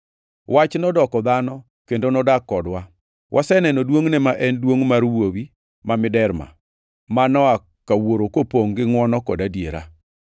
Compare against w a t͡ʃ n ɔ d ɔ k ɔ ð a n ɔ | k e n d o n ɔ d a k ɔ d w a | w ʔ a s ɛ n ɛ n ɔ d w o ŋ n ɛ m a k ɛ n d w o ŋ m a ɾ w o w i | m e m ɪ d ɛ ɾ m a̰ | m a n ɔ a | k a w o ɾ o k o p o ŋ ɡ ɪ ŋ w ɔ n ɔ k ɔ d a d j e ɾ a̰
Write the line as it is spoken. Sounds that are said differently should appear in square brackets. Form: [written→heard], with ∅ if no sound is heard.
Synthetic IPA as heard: w a t͡ʃ n ɔ d ɔ k ɔ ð a n ɔ | k e n d o n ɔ d a k ɔ d w a | w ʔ a s ɛ n ɛ n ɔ d w o ŋ n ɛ m a [k→ʔ] ɛ n d w o ŋ m a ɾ w o w i | m [e→a] m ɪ d ɛ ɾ m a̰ | m a n ɔ a | k a w o ɾ o k o p o ŋ ɡ ɪ ŋ w ɔ n ɔ k ɔ d a d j e ɾ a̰

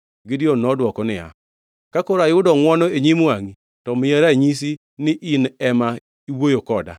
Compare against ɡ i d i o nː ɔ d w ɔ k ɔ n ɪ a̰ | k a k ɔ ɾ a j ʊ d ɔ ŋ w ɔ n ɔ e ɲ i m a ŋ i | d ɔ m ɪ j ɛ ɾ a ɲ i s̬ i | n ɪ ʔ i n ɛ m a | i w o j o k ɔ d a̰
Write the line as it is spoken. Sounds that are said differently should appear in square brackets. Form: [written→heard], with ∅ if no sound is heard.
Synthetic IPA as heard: ɡ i d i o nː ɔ d w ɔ k ɔ n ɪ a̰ | k a k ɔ ɾ a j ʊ d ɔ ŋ w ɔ n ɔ e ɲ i m a ŋ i | [d→t] ɔ m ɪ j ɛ ɾ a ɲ i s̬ i | n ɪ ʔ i n ɛ m a | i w o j o k ɔ d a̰

